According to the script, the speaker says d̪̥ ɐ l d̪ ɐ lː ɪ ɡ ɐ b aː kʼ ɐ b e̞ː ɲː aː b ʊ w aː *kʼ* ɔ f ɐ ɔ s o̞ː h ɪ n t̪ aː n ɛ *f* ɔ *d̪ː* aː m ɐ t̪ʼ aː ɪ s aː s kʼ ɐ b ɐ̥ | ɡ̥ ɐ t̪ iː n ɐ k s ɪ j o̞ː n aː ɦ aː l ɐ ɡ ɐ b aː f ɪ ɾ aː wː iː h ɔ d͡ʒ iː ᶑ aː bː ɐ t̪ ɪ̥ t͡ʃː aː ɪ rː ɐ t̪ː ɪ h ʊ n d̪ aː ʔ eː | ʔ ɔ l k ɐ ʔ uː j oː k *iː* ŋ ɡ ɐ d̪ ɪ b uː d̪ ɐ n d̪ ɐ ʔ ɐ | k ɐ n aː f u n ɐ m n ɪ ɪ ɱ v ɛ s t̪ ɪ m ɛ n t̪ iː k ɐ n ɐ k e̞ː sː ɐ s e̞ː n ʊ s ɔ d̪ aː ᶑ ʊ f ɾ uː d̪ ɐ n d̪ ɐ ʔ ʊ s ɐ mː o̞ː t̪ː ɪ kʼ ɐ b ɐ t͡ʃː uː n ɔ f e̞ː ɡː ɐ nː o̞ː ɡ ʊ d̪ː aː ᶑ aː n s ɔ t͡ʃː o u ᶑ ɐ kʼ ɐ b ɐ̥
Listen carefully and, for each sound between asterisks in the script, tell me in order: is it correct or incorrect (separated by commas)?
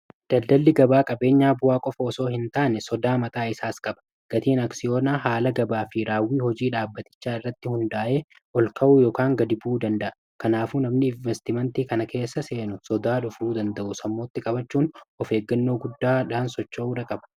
correct, incorrect, incorrect, incorrect